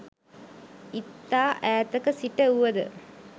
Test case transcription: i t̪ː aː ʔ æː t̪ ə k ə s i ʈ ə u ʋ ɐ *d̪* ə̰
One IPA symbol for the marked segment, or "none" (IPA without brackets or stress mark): d̪